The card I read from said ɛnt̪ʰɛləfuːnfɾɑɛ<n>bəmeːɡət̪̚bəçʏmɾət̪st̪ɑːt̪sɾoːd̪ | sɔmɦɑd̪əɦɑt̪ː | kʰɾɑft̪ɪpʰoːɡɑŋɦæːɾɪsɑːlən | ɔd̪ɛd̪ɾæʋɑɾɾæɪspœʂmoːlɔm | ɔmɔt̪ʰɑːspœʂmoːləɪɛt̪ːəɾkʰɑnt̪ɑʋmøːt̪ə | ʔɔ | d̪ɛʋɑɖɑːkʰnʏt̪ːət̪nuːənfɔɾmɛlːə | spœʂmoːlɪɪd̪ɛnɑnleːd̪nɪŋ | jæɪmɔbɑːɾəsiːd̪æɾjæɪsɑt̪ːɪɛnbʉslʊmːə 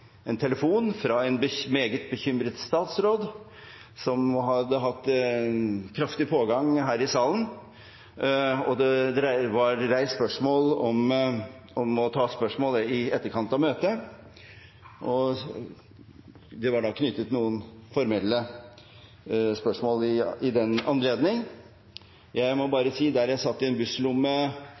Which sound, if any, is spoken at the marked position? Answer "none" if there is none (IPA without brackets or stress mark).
n